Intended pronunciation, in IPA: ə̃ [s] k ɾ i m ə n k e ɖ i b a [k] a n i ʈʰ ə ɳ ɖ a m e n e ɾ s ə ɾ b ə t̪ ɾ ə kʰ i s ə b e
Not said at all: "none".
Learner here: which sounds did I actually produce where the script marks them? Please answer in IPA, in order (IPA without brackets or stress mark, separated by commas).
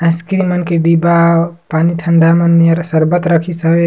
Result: s, p